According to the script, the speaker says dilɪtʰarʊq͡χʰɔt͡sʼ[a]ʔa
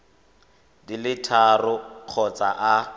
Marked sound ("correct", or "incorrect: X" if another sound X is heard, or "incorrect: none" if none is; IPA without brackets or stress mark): correct